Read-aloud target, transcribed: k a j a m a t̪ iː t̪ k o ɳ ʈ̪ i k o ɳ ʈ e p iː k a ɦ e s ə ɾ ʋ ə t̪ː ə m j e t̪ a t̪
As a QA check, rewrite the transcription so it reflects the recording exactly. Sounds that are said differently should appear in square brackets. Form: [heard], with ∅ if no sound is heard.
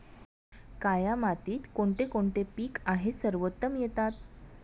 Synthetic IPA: k a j a m a t̪ iː t̪ k o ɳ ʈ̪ [e] k o ɳ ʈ e p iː k a ɦ e s ə ɾ ʋ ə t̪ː ə m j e t̪ a t̪